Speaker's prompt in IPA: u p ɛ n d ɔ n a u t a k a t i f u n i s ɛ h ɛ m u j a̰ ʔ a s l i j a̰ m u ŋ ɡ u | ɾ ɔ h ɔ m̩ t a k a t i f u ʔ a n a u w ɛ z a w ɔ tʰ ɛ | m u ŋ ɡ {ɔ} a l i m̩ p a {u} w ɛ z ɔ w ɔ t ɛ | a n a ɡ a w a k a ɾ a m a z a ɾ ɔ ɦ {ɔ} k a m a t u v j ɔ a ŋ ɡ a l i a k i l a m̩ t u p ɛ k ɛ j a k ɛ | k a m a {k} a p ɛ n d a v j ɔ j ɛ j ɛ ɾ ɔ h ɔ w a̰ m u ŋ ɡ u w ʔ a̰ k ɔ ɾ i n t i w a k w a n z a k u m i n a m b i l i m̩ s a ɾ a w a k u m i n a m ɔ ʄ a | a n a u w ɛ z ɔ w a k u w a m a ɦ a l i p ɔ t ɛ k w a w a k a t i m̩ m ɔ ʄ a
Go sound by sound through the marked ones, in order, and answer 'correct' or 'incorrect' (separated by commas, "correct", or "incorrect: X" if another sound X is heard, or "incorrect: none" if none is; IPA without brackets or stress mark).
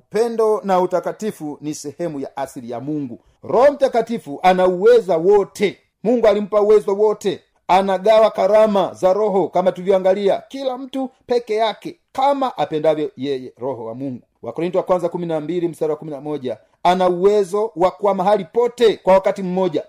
incorrect: u, correct, correct, incorrect: ʔ